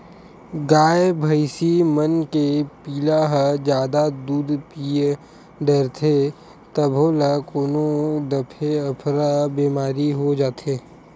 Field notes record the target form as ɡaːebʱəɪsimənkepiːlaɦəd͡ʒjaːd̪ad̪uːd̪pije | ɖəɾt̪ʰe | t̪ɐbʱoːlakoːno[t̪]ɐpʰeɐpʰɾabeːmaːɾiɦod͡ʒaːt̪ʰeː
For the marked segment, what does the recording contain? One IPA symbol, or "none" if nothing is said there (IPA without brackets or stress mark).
d̪